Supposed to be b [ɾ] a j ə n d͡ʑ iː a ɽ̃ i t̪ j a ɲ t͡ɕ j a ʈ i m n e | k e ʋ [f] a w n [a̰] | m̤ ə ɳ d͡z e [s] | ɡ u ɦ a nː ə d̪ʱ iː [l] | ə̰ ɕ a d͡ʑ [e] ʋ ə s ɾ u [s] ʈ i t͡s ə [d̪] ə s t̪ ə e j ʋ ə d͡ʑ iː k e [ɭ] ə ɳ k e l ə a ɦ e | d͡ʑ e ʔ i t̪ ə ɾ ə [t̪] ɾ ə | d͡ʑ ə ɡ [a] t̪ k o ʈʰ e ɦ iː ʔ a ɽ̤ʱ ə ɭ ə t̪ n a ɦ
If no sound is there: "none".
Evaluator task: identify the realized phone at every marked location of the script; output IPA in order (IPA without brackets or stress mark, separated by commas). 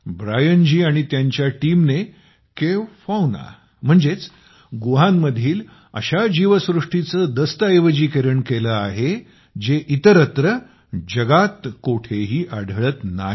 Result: ɾ, f, a̰, t͡s, l, i, ʂ, d̪, ɾ, t̪, a